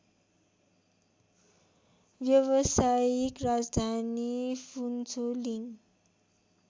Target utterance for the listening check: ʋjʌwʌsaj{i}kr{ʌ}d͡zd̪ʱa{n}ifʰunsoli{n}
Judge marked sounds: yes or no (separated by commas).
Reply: yes, no, yes, no